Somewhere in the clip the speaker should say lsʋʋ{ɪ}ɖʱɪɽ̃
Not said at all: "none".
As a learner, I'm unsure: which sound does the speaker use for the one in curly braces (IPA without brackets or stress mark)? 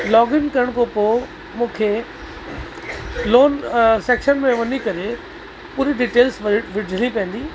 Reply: ɪ